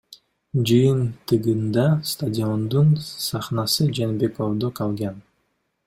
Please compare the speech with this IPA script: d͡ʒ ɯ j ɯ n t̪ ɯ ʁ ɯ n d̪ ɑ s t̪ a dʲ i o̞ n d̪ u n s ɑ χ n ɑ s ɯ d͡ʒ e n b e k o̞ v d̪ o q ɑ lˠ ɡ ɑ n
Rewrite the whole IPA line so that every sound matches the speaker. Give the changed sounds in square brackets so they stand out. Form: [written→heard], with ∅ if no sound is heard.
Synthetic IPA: d͡ʒ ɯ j ɯ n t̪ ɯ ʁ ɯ n d̪ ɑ s t̪ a dʲ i o̞ n d̪ u n s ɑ χ n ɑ s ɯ d͡ʒ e n b e k o̞ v d̪ o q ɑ lˠ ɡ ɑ n